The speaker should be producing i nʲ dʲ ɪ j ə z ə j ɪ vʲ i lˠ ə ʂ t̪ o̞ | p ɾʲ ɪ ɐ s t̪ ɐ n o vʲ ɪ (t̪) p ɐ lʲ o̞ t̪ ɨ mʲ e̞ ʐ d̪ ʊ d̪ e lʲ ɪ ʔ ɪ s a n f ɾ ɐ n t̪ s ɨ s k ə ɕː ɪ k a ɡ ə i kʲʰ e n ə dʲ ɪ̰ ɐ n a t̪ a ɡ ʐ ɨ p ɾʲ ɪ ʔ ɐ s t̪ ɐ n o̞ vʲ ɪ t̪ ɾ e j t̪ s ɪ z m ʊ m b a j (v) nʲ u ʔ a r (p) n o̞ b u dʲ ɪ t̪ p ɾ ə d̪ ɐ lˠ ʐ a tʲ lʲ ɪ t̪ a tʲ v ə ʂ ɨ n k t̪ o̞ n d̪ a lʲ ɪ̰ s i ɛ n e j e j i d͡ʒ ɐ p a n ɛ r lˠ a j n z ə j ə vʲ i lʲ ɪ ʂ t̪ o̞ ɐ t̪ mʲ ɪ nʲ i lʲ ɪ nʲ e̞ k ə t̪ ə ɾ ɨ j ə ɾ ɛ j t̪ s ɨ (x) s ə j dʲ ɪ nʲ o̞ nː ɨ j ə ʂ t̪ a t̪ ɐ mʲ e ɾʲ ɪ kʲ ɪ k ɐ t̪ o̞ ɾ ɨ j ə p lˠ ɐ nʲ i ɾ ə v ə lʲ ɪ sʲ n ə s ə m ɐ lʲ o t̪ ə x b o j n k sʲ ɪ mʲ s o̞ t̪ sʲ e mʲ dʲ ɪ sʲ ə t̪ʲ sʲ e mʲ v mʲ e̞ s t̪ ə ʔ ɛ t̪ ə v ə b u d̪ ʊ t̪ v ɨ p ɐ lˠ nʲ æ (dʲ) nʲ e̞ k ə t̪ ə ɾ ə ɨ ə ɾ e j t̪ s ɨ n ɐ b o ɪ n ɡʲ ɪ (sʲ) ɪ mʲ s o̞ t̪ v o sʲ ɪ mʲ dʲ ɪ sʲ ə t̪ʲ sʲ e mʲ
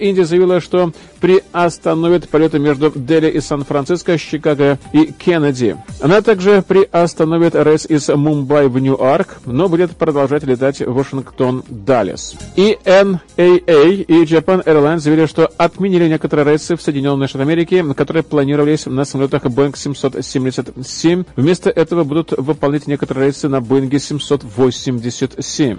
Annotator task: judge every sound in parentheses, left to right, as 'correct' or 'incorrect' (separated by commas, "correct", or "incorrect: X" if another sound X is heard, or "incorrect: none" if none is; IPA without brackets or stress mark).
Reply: correct, correct, incorrect: k, incorrect: f, incorrect: tʲ, correct